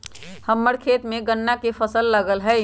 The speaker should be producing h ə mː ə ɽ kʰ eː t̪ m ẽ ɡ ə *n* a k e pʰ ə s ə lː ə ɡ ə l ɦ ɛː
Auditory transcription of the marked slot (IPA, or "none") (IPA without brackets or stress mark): nː